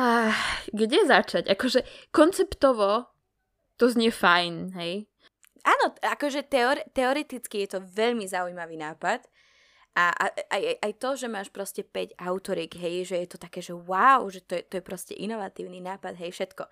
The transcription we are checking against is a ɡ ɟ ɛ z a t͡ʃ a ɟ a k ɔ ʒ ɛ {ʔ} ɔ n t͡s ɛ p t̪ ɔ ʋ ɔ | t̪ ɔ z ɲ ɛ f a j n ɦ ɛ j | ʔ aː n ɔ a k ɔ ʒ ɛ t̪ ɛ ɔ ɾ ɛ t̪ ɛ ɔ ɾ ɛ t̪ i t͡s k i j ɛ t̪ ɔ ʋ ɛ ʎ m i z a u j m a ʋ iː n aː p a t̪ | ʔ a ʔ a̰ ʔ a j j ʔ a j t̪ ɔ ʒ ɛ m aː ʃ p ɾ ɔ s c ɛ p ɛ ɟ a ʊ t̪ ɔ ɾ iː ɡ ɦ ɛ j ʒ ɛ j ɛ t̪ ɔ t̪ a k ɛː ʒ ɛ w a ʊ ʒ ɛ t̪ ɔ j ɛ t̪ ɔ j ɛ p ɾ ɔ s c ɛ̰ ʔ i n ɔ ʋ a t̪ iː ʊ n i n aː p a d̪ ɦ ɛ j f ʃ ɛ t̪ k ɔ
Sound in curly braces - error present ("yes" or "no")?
yes